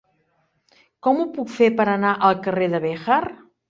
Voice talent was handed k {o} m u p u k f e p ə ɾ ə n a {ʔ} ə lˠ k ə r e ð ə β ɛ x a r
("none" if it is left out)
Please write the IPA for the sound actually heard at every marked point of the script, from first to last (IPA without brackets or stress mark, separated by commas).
ɔ, ʔ